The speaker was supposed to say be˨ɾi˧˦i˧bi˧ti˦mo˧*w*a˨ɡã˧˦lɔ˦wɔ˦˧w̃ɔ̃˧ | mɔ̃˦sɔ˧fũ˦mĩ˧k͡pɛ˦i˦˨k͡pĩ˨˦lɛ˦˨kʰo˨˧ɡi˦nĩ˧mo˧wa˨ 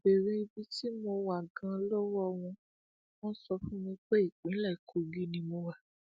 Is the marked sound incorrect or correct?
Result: correct